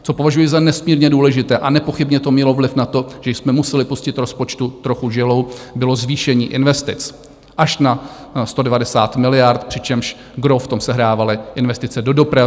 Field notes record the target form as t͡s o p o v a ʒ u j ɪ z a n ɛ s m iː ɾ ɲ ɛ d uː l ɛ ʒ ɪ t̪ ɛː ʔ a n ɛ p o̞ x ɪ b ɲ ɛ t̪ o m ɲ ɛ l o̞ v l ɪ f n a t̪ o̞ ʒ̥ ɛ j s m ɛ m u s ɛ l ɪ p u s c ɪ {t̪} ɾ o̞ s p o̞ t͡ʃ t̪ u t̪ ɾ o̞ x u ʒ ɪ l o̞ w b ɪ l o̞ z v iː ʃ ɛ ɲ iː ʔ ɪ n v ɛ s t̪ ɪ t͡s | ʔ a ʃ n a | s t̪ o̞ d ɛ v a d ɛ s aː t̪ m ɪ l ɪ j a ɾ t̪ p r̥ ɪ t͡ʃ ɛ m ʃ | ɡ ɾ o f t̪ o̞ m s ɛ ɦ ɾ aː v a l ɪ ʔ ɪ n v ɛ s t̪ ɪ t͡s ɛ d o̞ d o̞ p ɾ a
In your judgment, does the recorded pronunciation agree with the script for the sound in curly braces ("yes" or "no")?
yes